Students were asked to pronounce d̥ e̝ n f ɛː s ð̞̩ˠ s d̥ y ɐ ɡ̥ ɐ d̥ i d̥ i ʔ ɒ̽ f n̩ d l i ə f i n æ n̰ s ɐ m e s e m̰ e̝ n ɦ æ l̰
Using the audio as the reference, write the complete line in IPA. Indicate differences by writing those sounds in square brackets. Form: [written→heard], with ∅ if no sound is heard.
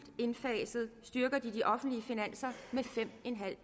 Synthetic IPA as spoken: d̥ e̝ n f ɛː s ð̞̩ˠ s d̥ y ɐ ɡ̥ ɐ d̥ i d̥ i ʔ ɒ̽ f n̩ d l i ə f i n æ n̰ s ɐ m e [s→f] e m̰ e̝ n ɦ æ l̰